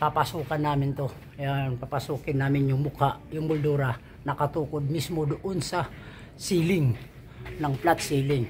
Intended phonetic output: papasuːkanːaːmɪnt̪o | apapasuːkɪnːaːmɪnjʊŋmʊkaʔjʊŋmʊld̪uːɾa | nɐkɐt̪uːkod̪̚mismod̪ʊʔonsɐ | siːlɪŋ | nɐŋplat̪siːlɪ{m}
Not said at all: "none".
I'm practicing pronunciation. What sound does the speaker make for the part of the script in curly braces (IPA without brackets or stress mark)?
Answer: ŋ